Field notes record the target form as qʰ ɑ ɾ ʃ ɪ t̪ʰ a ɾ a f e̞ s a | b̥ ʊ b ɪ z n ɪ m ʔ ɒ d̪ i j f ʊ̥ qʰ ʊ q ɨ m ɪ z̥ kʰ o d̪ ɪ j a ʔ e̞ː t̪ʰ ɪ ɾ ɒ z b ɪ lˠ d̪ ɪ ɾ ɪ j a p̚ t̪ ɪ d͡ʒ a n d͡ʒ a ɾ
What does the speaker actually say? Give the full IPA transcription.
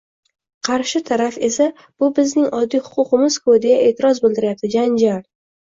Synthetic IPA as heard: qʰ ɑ ɾ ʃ ɪ t̪ʰ a ɾ a f e̞ s a | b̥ ʊ b ɪ z n ɪ ŋ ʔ ɒ d̪ː i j h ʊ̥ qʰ ʊ q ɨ m ɪ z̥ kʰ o d̪ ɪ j a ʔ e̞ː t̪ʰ ɪ ɾ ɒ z b ɪ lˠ d̪ ɪ ɾ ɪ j a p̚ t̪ ɪ d͡ʒ a n d͡ʒ a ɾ

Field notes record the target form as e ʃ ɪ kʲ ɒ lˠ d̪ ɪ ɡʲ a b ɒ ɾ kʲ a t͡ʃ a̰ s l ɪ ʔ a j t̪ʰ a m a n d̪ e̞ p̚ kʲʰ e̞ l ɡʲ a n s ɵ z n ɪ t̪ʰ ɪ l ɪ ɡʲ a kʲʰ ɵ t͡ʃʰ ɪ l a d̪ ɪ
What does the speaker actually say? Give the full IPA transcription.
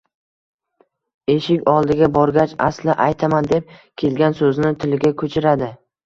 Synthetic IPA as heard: e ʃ ɪ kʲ ɒ lˠ d̪ ɪ ɡʲ a b ɒ ɾ ɡʲ a t͡ʃ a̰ s l ɪ ʔ a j t̪ʰ a m a n d̪ e̞ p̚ kʲʰ e̞ l ɡʲ a n s ɵ z n ɪ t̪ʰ ɪ l ɪ ɡʲ a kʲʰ ɵ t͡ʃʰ ɪ ɾ a d̪ ɪ

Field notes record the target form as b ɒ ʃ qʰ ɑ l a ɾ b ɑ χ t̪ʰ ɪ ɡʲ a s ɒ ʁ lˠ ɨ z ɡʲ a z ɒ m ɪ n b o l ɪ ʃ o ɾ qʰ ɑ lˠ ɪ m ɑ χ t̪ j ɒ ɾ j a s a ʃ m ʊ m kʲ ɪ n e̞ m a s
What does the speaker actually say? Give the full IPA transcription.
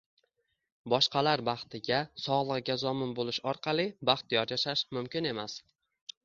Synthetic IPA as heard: b ɒ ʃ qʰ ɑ l a ɾ b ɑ χ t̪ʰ ɪ ɡʲ a s ɒ ʁ lˠ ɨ ʁ ɡʲ a z ɒ m ɪ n b o l ɪ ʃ ɒ ɾ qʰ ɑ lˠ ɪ b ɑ χ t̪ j ɒ ɾ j a ʃ a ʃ m ʊ m kʲ ɪ n e̞ m a s

